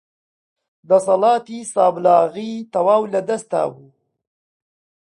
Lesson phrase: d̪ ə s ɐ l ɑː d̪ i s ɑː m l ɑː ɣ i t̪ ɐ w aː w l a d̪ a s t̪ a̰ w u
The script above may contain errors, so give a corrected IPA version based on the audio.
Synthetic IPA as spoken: d̪ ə s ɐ l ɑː t̪ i s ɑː b l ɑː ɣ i t̪ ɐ w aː w l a d̪ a s t̪ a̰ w u